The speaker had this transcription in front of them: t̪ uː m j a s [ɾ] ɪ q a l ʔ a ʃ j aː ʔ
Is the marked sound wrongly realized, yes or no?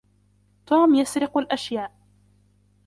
no